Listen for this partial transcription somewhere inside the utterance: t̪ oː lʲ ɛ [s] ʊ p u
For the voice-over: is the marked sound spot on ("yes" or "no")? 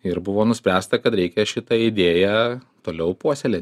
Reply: no